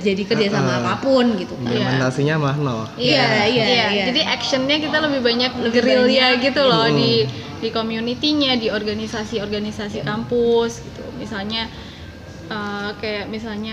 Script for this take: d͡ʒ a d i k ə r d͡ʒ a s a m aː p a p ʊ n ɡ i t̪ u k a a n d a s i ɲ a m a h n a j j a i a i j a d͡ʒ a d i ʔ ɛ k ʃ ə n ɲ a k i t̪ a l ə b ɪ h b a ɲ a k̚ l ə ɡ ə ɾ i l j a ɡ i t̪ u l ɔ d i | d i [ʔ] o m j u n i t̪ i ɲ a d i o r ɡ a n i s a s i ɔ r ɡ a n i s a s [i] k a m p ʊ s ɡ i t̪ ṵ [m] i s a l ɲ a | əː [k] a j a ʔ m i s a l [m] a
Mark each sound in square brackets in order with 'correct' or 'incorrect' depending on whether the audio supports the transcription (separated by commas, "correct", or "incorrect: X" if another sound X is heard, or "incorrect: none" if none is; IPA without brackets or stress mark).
incorrect: k, correct, correct, correct, incorrect: ɲ